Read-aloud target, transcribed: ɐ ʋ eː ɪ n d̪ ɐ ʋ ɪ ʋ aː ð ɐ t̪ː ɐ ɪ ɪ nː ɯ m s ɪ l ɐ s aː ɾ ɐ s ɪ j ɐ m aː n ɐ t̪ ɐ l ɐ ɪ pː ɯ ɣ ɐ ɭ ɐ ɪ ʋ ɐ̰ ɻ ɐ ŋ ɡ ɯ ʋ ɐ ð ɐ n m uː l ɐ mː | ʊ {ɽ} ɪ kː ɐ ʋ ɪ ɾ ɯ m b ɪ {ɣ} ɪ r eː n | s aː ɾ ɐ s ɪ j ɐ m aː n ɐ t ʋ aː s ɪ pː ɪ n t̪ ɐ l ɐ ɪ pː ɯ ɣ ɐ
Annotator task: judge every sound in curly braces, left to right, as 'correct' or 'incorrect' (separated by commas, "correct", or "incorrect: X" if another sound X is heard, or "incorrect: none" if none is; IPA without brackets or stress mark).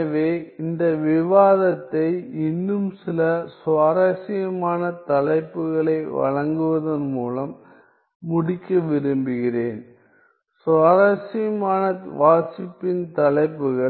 correct, correct